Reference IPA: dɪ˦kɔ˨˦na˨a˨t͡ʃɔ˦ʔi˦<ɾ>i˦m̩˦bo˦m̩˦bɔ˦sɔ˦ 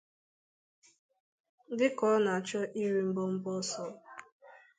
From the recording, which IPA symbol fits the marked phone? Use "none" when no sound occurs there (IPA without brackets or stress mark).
ɾ